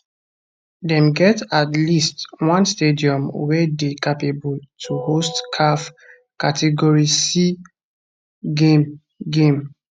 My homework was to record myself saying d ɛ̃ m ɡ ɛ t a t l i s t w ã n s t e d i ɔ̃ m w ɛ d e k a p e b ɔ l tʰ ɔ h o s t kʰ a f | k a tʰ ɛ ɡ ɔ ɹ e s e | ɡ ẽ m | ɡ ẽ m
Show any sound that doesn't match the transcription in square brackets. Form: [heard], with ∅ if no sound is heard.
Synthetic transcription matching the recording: d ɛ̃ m ɡ ɛ t a t l i s t w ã n s t e d i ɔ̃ m w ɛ d e k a p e b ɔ l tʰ [u] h o s t kʰ a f | k a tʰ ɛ ɡ ɔ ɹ [i] s [i] | ɡ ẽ m | ɡ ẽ m